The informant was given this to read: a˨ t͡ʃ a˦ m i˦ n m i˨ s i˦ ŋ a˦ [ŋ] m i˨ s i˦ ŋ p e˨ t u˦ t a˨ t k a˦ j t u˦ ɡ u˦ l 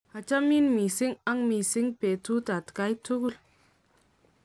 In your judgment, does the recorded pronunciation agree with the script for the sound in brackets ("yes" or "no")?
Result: yes